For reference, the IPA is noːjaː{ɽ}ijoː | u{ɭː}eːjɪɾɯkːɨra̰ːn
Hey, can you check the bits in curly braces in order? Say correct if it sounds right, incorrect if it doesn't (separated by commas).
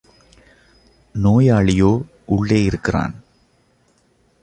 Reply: incorrect, correct